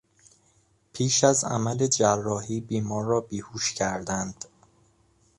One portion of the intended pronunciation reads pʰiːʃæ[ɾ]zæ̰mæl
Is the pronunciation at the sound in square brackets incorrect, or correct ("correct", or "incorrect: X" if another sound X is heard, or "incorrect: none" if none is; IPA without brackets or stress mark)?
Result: incorrect: none